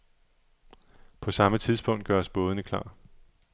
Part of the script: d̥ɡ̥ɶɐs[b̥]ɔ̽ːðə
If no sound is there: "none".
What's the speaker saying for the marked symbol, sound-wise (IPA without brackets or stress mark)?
b̥